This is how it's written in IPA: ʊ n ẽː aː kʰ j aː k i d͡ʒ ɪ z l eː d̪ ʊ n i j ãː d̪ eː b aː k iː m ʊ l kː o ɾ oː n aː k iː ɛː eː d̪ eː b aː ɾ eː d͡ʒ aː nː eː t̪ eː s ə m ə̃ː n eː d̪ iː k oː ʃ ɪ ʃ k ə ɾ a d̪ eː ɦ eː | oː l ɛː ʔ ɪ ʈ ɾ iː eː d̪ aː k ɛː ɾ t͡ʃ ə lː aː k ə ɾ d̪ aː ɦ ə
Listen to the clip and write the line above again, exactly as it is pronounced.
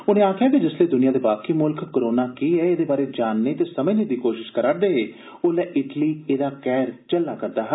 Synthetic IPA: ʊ n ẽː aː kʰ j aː k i d͡ʒ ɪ s l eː d̪ ʊ n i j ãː d̪ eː b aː k iː m ʊ l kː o ɾ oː n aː k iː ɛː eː d̪ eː b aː ɾ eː d͡ʒ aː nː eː t̪ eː s ə m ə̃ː n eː d̪ iː k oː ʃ ɪ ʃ k ə ɾ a d̪ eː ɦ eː | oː l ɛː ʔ ɪ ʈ l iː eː d̪ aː k ɛː ɾ t͡ʃ ə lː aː k ə ɾ d̪ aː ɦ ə